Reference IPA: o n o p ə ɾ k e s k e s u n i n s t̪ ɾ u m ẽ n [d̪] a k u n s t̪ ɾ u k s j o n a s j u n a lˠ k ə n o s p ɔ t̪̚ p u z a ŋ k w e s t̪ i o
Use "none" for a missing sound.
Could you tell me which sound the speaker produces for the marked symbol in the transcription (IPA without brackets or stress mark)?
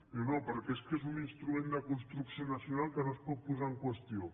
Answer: d̪